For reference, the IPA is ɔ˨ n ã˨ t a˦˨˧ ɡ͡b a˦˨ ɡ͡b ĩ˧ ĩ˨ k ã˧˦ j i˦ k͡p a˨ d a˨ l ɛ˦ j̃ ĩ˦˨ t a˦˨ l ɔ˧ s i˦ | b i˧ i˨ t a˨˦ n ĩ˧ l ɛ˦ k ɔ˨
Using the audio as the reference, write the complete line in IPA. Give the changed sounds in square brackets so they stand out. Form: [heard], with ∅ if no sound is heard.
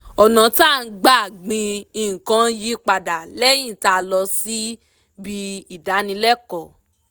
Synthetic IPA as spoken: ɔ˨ n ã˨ t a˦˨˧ ɡ͡b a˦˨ ɡ͡b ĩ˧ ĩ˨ k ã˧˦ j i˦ k͡p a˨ d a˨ l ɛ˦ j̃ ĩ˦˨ t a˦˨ l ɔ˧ s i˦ | b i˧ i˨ [d] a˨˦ n ĩ˧ l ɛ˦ k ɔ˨